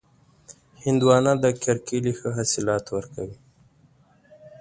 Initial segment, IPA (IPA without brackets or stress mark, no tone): h